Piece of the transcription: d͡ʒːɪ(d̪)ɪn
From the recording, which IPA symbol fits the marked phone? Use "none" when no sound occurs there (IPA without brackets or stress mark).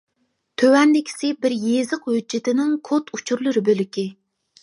t̪